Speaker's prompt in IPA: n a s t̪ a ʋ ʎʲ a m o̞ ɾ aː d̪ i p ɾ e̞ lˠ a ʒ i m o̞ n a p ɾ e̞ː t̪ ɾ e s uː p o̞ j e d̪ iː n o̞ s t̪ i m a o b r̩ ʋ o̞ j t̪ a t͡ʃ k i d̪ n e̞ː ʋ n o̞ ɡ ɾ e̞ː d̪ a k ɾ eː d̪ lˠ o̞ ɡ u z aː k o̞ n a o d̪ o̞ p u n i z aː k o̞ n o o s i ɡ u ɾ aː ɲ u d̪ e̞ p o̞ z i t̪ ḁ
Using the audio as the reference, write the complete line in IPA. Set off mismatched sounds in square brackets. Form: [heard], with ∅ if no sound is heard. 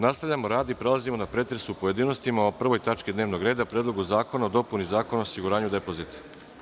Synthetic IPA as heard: n a s t̪ a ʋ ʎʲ a m o̞ ɾ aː d̪ i p ɾ e̞ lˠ a [z] i m o̞ n a p ɾ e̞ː t̪ ɾ e s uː p o̞ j e d̪ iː n o̞ s t̪ i m a o [p] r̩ ʋ o̞ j t̪ a t͡ʃ k i d̪ n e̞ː ʋ n o̞ ɡ ɾ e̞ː d̪ a [p] ɾ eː d̪ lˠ o̞ ɡ u z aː k o̞ n a o d̪ o̞ p u n i z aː k o̞ n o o s i ɡ u ɾ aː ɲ u d̪ e̞ p o̞ z i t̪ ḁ

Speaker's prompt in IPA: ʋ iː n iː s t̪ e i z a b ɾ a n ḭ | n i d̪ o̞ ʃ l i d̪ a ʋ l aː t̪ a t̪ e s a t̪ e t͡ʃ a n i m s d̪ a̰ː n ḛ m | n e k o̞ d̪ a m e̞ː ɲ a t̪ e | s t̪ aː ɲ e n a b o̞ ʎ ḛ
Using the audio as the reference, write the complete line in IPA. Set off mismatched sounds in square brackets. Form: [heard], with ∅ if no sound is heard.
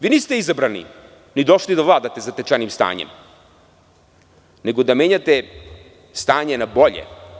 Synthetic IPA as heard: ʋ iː n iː s t̪ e i z a b ɾ a n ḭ | n i d̪ o̞ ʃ l i d̪ a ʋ l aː [d̪] a t̪ e [z] a t̪ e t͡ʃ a n i m s [t̪] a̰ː [ɲ] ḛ m | n e [ɡ] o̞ d̪ a m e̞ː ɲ a t̪ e | s t̪ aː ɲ e n a b o̞ ʎ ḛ

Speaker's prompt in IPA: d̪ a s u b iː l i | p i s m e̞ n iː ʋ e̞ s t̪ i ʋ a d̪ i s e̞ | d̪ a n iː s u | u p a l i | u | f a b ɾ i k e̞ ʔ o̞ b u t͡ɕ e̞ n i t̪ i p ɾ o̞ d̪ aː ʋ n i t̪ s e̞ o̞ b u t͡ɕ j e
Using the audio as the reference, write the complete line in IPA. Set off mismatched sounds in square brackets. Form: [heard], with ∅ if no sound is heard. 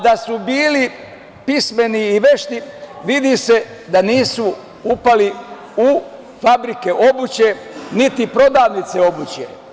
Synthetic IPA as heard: d̪ a s u b iː l i | p i s m e̞ n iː ʋ e̞ [ʃ] t̪ i ʋ [i] d̪ i s e̞ | d̪ a n iː s u | u p a l i | u | f a b ɾ i k e̞ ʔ o̞ b u t͡ɕ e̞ n i t̪ i p ɾ o̞ d̪ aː ʋ n i t̪ s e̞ o̞ b u t͡ɕ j e

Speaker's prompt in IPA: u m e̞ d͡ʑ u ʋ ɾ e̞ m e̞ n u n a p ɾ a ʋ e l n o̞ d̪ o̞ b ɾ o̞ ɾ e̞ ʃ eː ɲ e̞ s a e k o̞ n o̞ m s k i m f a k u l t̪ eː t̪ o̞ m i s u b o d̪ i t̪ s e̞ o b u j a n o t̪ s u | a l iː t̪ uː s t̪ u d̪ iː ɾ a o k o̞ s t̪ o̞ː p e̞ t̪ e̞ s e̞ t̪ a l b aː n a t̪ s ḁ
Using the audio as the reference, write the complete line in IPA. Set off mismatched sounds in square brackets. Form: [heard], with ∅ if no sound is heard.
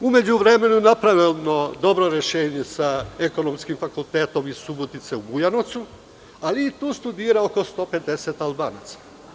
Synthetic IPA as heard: u m e̞ d͡ʑ u ʋ ɾ e̞ m e̞ n u n a p ɾ a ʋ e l n o̞ d̪ o̞ b ɾ o̞ ɾ e̞ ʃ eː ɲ e̞ s a e k o̞ n o̞ m s k i m f a k u l t̪ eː t̪ o̞ m i s u b o [t̪] i t̪ s e̞ [u] b u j a n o t̪ s u | a l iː t̪ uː s t̪ u d̪ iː ɾ a o k o̞ s t̪ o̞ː p e̞ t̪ e̞ s e̞ t̪ a l b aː n a t̪ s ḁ

